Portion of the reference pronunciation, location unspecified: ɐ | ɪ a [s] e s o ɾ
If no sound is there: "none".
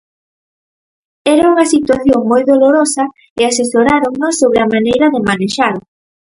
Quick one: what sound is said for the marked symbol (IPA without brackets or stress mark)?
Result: s